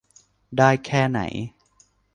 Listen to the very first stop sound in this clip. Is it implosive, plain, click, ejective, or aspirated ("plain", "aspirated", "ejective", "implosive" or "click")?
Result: plain